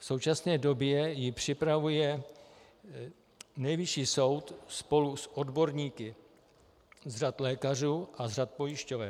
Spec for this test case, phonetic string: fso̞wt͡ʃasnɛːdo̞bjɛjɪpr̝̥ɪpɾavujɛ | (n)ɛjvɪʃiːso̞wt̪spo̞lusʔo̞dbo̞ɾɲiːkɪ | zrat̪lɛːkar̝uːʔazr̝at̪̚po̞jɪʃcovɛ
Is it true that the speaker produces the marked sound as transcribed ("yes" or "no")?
yes